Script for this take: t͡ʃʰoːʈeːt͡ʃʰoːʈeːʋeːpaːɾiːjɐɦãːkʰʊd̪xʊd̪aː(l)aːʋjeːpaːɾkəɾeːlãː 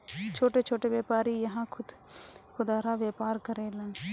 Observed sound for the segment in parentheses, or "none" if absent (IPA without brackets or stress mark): ɾ